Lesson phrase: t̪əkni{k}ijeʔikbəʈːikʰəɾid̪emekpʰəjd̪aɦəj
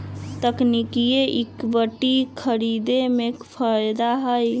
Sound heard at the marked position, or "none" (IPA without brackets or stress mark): k